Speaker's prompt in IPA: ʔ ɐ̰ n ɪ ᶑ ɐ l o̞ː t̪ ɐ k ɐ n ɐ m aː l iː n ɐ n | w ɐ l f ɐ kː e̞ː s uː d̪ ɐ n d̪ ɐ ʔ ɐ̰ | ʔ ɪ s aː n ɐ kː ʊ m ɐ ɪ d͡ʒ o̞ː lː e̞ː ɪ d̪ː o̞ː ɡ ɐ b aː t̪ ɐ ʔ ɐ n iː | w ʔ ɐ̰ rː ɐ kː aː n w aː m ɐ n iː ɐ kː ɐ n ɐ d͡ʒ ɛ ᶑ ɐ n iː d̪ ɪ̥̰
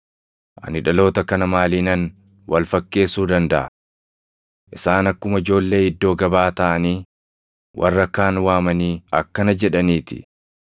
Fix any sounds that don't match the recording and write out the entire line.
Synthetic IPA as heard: ʔ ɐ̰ n ɪ ᶑ ɐ l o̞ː t̪ ɐ k ɐ n ɐ m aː l iː n ɐ n | w ɐ l f ɐ kː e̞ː s uː d̪ ɐ n d̪ ɐ ʔ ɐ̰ | ʔ ɪ s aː n ɐ kː ʊ m ɐ ɪ d͡ʒ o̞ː lː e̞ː ɪ d̪ː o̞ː ɡ ɐ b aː t̪ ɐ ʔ ɐ n iː | w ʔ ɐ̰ rː ɐ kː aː n w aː m ɐ n iː ɐ kː ɐ n ɐ d͡ʒ ɛ ᶑ ɐ n iː t̪ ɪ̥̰